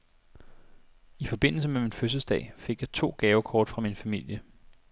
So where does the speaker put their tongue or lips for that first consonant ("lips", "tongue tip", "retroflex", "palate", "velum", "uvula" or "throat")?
lips